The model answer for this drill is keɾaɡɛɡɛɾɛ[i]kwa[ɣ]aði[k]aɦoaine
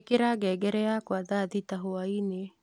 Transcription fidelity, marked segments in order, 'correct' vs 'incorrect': incorrect: a, incorrect: ð, incorrect: t

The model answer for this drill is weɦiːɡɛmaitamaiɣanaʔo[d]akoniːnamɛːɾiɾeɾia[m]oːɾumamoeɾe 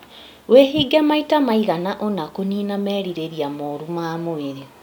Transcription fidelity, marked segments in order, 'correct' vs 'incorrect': incorrect: n, correct

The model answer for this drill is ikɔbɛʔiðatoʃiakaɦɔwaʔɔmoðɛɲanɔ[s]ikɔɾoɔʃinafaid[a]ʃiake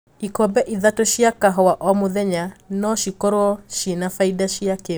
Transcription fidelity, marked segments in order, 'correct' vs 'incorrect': incorrect: ʃ, correct

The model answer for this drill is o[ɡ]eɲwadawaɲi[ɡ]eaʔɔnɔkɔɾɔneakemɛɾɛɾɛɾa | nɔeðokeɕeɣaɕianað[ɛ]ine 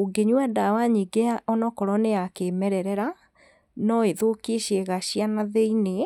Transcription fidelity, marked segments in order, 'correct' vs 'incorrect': correct, correct, incorrect: e

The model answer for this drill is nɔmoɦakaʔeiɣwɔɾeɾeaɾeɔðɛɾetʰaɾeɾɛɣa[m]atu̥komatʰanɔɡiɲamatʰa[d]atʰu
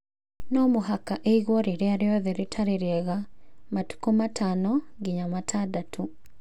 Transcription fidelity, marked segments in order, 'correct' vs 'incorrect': correct, correct

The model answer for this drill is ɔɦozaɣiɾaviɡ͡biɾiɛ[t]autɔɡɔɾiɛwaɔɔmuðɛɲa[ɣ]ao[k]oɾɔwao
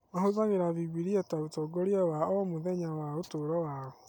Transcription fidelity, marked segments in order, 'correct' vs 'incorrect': correct, incorrect: w, incorrect: t

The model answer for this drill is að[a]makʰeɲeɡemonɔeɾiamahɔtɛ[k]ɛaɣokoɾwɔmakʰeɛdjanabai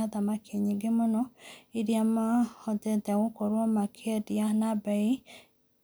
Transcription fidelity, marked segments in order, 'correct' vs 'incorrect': correct, incorrect: t

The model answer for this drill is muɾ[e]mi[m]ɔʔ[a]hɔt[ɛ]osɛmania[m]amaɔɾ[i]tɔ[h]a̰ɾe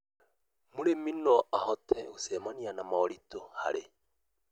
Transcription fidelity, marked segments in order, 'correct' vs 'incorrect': correct, incorrect: n, correct, correct, incorrect: n, correct, correct

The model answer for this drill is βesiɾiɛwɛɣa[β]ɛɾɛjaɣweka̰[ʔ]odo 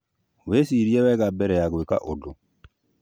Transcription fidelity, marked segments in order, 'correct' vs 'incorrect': incorrect: b, correct

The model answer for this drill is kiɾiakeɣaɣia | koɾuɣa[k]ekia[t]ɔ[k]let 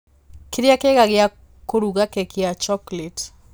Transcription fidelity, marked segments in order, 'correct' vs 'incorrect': correct, incorrect: t͡ʃ, correct

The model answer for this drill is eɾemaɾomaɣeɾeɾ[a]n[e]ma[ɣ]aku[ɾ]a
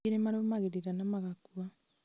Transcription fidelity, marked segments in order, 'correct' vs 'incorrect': correct, incorrect: a, correct, incorrect: none

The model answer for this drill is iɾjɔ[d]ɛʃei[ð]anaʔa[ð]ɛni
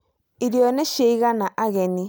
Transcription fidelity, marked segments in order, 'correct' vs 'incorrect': incorrect: n, incorrect: ɣ, incorrect: ɣ

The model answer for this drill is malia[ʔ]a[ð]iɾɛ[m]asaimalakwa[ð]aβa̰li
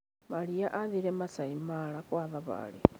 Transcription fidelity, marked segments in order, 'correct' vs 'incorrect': correct, correct, correct, correct

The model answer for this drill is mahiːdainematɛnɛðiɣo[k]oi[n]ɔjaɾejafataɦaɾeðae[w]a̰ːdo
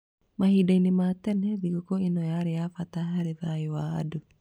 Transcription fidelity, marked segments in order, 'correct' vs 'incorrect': correct, correct, correct

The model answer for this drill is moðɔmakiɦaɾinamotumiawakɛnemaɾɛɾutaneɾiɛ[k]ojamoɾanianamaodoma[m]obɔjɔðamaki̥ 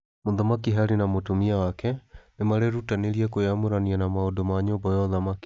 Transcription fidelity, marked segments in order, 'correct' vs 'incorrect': correct, incorrect: ɲ

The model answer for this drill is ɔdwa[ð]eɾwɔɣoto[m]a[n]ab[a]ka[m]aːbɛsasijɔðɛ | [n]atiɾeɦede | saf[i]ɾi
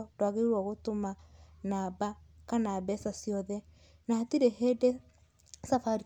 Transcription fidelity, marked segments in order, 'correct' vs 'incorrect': incorrect: ɣ, correct, correct, correct, incorrect: n, correct, incorrect: a

